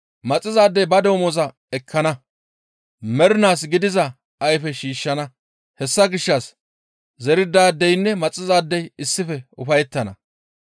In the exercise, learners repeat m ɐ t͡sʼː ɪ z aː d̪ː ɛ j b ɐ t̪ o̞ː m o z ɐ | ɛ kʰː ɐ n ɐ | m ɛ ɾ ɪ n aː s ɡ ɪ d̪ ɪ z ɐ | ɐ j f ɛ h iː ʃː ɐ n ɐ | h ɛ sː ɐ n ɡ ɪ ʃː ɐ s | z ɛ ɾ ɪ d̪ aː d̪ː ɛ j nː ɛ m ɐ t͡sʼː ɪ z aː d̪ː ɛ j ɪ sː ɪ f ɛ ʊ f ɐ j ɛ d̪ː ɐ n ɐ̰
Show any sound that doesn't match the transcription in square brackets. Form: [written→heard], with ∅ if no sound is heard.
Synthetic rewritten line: m ɐ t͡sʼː ɪ z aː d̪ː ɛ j b ɐ [t̪→d̪] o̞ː m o z ɐ | ɛ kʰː ɐ n ɐ | m ɛ ɾ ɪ n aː s ɡ ɪ d̪ ɪ z ɐ | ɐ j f ɛ [h→ʃ] iː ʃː ɐ n ɐ | h ɛ sː ɐ [n→∅] ɡ ɪ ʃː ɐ s | z ɛ ɾ ɪ d̪ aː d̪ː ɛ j nː ɛ m ɐ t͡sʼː ɪ z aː d̪ː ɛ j ɪ sː ɪ f ɛ ʊ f ɐ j ɛ [d̪ː→t̪ː] ɐ n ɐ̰